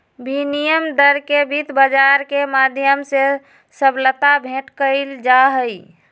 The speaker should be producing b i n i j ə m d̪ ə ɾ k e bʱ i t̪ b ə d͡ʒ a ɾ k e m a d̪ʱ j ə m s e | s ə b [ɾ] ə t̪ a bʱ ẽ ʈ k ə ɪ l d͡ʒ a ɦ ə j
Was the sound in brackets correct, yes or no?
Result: no